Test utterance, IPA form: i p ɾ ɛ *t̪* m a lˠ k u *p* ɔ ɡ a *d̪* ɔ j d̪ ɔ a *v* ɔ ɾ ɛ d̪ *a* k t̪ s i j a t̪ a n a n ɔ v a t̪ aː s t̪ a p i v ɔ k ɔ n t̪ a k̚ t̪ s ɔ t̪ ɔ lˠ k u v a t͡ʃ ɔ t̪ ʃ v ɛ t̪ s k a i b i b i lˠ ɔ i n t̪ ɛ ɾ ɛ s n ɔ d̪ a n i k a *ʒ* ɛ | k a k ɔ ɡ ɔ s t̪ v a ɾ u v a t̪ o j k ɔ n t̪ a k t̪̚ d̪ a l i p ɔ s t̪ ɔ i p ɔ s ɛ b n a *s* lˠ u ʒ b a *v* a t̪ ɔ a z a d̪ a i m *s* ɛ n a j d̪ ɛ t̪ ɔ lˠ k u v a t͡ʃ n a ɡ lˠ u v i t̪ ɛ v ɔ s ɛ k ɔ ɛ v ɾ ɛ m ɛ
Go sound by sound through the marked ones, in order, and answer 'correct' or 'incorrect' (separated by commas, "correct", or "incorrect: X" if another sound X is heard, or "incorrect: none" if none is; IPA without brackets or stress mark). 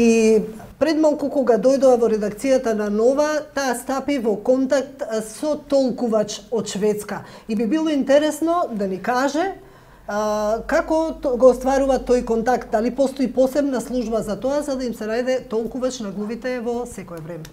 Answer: incorrect: d̪, incorrect: k, correct, correct, correct, correct, correct, incorrect: z, correct